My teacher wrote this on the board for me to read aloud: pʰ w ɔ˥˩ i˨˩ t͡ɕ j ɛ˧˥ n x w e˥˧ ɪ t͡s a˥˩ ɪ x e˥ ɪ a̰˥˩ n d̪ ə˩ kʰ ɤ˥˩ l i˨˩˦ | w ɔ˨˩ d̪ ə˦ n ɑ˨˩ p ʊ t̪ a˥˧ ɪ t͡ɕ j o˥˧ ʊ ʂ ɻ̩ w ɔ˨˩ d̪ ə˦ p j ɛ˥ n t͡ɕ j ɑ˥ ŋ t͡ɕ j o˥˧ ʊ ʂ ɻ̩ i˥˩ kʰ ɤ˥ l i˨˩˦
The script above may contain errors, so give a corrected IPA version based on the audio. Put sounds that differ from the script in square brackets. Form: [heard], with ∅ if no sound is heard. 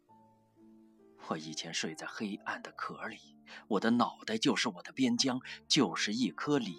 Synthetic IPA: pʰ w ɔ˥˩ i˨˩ [t͡ɕʰ] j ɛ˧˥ n [ʂ] w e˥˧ ɪ t͡s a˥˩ ɪ x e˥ ɪ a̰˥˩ n d̪ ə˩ kʰ [ɤ˧˥] l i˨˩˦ | w ɔ˨˩ d̪ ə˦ n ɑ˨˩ [∅] ʊ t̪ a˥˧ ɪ t͡ɕ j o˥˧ ʊ ʂ ɻ̩ w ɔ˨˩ d̪ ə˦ p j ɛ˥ n t͡ɕ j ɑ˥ ŋ t͡ɕ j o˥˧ ʊ ʂ ɻ̩ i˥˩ kʰ ɤ˥ l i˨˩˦